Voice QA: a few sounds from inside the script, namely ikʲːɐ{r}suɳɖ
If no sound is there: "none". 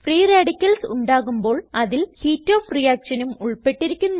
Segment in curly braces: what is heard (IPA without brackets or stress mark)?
l